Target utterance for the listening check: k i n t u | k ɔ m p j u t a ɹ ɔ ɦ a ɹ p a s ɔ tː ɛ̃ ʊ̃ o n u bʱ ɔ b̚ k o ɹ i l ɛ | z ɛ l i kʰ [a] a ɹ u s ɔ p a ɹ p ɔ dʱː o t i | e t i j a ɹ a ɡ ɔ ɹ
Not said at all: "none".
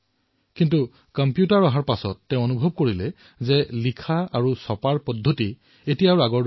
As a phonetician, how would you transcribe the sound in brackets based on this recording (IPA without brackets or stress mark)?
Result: a